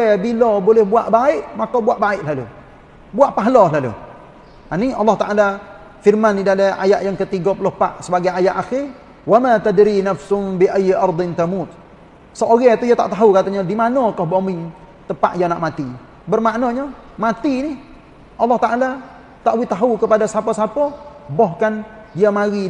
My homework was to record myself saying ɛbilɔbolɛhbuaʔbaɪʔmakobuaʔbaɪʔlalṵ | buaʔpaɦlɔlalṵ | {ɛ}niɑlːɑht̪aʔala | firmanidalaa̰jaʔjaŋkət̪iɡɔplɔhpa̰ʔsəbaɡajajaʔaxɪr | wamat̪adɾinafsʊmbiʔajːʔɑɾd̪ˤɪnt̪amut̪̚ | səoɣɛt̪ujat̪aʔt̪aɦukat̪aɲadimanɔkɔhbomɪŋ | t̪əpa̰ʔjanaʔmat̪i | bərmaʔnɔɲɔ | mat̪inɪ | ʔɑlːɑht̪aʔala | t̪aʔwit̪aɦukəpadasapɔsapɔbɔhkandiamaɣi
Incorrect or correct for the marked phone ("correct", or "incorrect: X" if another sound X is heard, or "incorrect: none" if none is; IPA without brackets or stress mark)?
incorrect: a